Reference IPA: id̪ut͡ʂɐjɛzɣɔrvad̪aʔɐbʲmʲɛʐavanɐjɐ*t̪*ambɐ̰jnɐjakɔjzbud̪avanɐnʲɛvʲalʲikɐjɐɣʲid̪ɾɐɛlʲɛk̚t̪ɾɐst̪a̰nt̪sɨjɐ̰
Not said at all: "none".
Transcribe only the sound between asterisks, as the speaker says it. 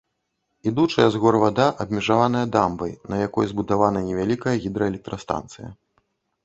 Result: d̪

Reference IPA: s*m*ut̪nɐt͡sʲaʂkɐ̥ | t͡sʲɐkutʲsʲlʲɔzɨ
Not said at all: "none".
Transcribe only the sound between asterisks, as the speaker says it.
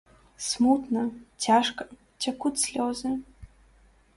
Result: m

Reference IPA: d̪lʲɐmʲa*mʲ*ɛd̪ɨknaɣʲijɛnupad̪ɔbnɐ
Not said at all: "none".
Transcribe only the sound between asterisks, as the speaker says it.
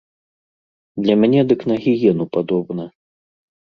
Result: nʲ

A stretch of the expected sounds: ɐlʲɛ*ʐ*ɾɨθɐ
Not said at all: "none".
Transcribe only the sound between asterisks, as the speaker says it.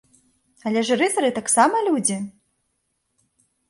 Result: ʐ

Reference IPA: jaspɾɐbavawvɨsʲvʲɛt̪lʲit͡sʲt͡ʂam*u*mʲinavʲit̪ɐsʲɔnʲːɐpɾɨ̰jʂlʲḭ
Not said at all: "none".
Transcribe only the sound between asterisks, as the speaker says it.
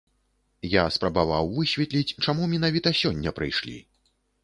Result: u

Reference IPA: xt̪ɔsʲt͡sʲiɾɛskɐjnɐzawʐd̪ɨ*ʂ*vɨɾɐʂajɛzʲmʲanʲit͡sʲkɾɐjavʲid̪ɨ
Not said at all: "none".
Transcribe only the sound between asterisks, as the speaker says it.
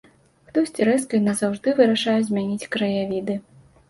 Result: none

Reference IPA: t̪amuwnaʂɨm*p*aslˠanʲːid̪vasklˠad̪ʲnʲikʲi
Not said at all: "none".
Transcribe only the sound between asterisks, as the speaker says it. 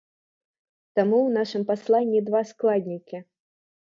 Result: p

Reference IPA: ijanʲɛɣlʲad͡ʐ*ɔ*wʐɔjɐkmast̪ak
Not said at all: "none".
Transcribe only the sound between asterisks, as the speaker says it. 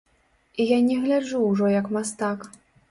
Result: u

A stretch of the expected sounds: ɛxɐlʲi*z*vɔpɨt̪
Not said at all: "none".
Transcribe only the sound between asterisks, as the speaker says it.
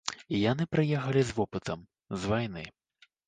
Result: z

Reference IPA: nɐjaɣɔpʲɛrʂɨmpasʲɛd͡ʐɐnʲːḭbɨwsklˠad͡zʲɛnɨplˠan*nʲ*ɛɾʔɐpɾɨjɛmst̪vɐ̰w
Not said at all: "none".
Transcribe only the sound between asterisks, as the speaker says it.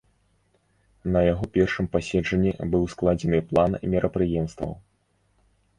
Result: mʲ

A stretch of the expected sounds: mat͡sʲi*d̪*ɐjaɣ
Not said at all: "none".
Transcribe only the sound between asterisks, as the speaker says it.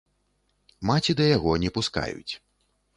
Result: d̪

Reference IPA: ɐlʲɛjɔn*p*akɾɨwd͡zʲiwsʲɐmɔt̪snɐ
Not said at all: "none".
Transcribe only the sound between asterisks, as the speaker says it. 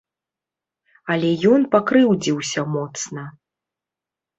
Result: p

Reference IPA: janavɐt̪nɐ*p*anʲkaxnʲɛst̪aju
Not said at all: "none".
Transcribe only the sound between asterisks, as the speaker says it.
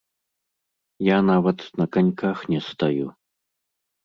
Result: k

